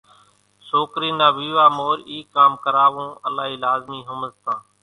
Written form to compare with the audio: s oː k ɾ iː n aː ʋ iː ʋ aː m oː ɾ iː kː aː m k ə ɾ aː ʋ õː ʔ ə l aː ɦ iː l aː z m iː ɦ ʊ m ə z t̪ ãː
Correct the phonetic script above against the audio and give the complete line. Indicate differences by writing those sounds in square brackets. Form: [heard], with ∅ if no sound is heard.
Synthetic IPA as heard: s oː k ɾ iː n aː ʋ iː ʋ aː m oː ɾ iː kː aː m k ə ɾ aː ʋ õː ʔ ə l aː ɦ iː l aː z m iː ɦ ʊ m ə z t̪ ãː